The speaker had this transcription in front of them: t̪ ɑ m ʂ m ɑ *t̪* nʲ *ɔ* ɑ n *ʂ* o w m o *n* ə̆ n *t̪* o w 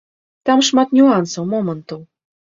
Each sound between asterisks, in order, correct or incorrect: correct, incorrect: u, incorrect: s, incorrect: m, correct

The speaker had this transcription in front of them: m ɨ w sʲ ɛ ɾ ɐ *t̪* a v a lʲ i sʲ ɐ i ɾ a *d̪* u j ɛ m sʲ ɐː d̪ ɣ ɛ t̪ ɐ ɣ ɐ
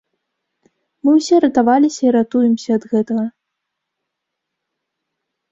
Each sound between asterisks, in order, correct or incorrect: correct, incorrect: t̪

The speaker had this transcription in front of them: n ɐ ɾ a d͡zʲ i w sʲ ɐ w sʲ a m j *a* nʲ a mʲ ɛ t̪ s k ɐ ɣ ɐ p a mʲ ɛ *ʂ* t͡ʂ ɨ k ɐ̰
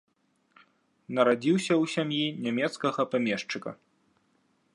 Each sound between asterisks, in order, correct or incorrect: incorrect: i, correct

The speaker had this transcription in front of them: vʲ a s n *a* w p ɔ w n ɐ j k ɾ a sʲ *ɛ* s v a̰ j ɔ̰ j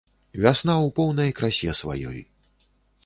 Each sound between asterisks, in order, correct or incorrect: correct, correct

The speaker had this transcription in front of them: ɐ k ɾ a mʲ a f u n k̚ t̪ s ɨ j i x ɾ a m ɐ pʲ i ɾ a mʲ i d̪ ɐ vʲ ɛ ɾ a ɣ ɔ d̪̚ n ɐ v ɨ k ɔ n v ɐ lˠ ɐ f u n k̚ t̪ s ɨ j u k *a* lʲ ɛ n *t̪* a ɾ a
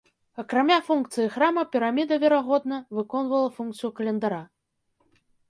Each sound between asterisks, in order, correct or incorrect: incorrect: ɐ, incorrect: d̪

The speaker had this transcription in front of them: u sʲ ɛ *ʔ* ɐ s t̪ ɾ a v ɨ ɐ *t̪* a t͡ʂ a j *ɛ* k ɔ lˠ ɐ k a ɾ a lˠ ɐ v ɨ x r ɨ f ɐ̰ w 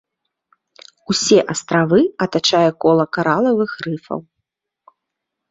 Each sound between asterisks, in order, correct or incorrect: correct, correct, correct

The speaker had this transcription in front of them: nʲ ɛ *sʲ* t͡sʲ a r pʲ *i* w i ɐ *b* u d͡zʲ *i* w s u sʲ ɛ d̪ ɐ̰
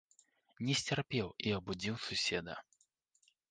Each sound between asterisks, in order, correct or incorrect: correct, incorrect: ɛ, correct, correct

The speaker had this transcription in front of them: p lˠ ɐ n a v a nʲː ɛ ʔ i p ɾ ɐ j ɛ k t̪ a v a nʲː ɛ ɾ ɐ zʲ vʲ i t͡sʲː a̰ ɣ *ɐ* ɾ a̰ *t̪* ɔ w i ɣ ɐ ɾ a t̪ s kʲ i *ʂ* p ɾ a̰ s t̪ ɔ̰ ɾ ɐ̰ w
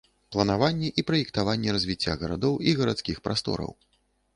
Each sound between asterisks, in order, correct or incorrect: correct, incorrect: d̪, incorrect: x

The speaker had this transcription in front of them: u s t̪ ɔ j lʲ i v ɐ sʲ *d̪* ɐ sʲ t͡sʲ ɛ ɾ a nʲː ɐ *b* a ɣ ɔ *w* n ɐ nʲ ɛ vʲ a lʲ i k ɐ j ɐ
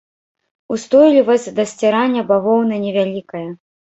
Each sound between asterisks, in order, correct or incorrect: correct, correct, correct

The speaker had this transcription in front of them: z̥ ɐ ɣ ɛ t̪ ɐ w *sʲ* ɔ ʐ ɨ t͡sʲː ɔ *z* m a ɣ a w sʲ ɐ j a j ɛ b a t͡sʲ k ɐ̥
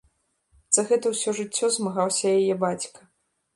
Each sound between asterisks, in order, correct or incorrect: correct, correct

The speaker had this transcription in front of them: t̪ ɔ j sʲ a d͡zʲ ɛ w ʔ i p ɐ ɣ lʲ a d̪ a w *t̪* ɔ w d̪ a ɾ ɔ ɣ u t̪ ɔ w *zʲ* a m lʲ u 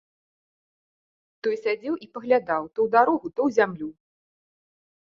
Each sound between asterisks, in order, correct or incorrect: correct, correct

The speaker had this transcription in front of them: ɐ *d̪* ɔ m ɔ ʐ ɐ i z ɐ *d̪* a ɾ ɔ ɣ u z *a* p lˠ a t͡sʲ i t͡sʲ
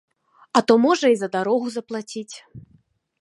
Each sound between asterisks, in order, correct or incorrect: incorrect: t̪, correct, incorrect: ɐ

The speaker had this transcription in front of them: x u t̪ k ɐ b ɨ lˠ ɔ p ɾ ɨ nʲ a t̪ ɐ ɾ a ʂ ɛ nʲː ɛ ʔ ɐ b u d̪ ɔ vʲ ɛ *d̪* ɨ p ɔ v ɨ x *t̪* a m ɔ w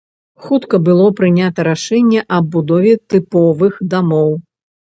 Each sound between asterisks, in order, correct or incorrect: incorrect: t̪, incorrect: d̪

